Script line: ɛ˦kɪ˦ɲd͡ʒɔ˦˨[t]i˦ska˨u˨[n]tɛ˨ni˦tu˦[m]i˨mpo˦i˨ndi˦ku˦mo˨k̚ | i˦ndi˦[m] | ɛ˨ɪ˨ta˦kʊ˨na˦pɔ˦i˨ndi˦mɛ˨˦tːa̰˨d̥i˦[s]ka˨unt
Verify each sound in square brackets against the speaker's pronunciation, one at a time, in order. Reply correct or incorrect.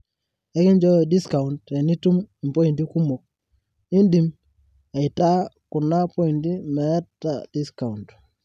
incorrect: d, correct, correct, correct, correct

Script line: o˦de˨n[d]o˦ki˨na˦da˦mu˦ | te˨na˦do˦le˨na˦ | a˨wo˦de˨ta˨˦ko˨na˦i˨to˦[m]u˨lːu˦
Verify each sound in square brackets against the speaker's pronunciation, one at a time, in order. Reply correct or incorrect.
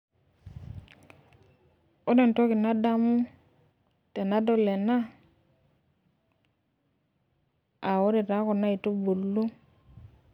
incorrect: t, incorrect: b

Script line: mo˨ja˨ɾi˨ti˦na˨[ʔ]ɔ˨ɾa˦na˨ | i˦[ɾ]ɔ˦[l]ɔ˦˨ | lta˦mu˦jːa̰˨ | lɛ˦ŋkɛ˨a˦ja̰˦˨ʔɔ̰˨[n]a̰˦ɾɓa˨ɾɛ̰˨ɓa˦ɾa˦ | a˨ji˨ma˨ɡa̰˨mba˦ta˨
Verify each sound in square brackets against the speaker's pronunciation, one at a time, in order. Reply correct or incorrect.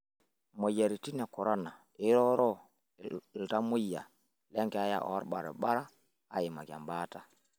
incorrect: k, correct, incorrect: ɾ, incorrect: none

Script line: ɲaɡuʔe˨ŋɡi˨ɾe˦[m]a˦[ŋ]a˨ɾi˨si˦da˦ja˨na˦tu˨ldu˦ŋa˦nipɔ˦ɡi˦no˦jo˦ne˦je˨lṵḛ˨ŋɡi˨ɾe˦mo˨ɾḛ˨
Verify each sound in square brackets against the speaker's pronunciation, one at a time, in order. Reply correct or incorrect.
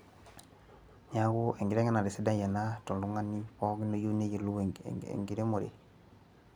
incorrect: ŋ, incorrect: n

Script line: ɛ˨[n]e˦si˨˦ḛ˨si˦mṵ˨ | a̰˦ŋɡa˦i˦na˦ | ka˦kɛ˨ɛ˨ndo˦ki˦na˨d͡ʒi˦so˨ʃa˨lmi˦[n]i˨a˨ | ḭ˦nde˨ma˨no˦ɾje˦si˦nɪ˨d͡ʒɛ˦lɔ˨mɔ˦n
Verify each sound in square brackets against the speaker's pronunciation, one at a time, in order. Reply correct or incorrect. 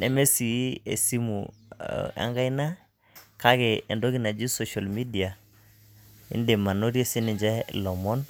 incorrect: m, incorrect: d

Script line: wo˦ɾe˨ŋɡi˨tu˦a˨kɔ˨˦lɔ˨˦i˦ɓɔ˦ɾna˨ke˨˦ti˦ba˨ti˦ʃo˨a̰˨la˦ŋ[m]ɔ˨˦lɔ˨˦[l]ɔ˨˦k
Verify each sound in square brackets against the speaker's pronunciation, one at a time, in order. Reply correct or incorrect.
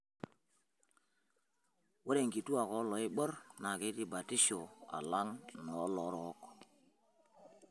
incorrect: n, incorrect: ɾ

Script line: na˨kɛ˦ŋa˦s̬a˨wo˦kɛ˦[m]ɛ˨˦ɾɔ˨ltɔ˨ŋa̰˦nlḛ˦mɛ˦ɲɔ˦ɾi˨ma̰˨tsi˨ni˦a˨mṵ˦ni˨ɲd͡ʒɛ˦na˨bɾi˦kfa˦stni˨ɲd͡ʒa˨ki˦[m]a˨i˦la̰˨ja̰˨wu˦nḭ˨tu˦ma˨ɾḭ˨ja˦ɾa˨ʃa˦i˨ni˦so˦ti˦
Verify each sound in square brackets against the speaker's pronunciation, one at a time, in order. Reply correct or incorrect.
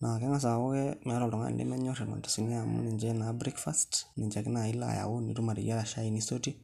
correct, incorrect: n

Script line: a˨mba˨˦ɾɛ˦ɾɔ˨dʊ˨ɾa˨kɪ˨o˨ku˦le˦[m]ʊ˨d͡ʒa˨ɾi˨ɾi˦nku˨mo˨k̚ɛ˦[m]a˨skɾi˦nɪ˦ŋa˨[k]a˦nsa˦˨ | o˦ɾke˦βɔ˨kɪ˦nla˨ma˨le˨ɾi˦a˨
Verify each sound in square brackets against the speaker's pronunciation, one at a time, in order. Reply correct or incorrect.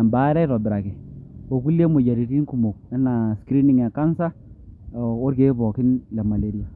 correct, incorrect: n, correct

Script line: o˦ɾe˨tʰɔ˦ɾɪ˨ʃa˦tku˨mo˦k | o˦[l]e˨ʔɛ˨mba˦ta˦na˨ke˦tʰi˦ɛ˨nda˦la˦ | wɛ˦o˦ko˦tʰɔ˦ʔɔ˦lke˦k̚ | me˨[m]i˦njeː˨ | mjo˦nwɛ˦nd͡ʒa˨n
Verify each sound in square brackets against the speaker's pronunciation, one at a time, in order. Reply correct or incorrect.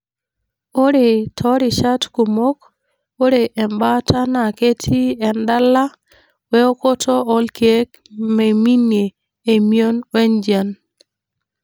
incorrect: ɾ, correct

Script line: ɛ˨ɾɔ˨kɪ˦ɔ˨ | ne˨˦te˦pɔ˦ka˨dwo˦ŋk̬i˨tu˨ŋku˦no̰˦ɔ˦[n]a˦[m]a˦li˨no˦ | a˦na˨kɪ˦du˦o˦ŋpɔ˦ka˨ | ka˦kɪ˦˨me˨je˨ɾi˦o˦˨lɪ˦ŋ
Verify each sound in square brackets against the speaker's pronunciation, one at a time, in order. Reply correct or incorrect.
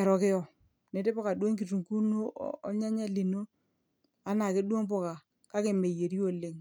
incorrect: ɲ, incorrect: ɲ

